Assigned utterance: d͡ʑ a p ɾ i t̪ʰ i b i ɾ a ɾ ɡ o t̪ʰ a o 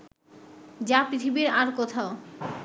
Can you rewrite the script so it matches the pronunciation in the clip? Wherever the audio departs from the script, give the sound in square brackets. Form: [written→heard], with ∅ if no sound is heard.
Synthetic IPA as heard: d͡ʑ a p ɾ i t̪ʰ i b i ɾ a ɾ [ɡ→k] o t̪ʰ a o